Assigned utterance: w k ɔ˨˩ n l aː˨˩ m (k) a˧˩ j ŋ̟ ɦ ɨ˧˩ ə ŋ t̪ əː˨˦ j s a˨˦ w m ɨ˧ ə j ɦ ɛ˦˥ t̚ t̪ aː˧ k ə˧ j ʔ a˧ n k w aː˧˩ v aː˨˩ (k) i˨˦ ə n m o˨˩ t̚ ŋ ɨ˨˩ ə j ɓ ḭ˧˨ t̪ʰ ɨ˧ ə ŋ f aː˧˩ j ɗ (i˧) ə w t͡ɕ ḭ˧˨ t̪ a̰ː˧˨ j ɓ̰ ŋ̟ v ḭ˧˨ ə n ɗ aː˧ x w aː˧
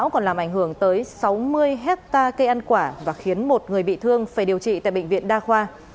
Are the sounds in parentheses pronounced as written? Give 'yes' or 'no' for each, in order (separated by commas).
no, no, no